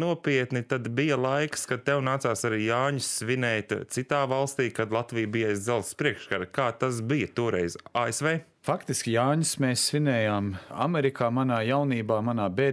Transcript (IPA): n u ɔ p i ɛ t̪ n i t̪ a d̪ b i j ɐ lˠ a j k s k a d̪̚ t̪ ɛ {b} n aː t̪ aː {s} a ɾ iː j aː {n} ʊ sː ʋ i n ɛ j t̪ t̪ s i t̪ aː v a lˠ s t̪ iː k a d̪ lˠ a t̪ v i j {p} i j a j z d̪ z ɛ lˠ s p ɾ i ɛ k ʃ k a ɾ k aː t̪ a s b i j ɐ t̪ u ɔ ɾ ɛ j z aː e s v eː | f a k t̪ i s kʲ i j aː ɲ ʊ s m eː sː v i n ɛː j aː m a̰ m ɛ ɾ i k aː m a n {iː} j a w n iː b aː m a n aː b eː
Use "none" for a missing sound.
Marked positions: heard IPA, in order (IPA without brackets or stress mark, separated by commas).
w, s, ɲ, b, aː